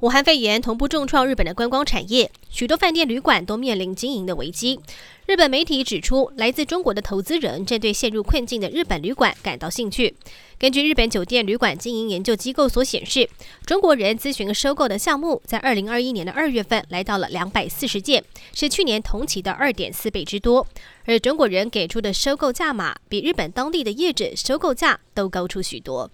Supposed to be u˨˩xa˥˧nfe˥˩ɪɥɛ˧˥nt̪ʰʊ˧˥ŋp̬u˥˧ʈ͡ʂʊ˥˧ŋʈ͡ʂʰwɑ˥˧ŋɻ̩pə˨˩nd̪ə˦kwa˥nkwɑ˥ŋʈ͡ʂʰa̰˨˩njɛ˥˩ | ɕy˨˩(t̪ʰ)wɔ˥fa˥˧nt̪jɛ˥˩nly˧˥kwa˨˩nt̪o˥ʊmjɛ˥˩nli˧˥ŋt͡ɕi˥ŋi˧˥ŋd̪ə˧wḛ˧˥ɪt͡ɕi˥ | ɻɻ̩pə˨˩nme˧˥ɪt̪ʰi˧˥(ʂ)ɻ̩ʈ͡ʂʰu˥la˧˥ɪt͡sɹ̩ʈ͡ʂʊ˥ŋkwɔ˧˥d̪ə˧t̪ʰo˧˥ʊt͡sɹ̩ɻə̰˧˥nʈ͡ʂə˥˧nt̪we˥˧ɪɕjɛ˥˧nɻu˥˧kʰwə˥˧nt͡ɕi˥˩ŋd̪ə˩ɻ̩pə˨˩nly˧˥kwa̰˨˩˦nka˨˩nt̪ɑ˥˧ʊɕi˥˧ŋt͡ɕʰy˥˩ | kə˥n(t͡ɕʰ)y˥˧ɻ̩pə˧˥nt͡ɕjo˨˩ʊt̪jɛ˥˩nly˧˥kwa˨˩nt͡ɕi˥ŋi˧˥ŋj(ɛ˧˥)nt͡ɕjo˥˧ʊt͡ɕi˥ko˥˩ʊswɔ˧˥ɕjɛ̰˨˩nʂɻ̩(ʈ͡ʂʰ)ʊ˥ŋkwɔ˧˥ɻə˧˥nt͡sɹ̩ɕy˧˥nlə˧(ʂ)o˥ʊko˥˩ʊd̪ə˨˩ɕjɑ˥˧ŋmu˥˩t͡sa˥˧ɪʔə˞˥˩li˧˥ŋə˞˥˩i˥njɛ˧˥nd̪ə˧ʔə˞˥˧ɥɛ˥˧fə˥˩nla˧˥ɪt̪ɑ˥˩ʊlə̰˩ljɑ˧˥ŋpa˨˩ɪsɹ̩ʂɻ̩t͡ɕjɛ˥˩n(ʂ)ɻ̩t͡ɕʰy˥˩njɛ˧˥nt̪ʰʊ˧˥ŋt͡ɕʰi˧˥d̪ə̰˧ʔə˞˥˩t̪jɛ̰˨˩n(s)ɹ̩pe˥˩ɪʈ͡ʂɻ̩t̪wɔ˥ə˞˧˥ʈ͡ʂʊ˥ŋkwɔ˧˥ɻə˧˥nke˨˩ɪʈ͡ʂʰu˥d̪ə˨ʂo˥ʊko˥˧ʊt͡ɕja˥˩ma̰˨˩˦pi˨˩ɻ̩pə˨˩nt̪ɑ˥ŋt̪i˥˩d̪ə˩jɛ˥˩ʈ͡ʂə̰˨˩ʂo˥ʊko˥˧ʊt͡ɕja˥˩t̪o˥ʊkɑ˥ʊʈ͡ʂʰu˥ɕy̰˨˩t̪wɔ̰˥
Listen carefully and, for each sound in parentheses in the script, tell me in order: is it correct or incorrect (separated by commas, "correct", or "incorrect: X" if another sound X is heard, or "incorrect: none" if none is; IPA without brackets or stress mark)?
incorrect: t̪, incorrect: ʈ͡ʂ, incorrect: t͡ɕ, correct, incorrect: ʈ͡ʂ, correct, correct, correct